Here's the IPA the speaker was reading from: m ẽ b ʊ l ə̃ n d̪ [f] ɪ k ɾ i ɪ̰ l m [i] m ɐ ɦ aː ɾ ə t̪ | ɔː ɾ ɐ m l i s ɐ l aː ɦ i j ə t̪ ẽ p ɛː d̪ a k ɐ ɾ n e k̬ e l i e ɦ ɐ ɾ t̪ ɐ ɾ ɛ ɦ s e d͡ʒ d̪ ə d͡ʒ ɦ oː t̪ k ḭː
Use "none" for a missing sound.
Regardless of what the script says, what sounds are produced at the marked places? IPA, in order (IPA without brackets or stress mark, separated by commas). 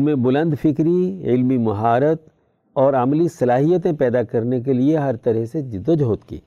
f, i